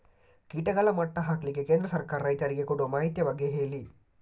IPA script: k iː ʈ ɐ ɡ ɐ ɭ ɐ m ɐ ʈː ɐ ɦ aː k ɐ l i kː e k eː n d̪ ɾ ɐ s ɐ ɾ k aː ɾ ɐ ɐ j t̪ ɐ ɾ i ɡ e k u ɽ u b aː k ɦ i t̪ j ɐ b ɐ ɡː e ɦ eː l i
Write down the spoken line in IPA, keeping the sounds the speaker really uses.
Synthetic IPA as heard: k iː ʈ ɐ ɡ ɐ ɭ ɐ m ɐ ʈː ɐ ɦ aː k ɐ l i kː e k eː n d̪ ɾ ɐ s ɐ ɾ k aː ɾ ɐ ɐ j t̪ ɐ ɾ i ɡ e k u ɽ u m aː ɦ i t̪ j ɐ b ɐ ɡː e ɦ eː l i